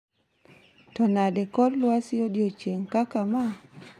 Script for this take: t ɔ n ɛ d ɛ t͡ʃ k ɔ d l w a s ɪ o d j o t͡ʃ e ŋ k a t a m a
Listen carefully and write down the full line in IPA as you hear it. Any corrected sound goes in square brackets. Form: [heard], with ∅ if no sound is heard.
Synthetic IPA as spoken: t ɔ n [a] d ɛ [∅] k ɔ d l w a s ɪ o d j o t͡ʃ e ŋ k a [k] a m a